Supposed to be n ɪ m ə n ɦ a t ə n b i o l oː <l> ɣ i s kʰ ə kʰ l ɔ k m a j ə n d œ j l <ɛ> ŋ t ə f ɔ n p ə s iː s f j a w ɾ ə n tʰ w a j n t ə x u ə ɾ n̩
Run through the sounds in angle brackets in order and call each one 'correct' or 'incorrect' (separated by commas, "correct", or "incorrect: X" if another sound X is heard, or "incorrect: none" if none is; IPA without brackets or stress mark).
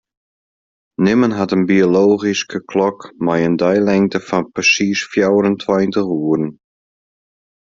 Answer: incorrect: none, correct